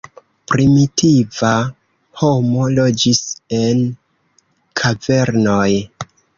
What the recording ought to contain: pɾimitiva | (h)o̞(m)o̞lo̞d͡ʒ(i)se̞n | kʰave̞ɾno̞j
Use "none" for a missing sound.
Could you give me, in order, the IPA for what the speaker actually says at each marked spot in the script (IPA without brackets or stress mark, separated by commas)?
h, m, i